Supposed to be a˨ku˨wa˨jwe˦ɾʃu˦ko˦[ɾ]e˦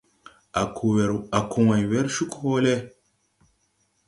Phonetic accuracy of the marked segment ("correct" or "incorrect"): incorrect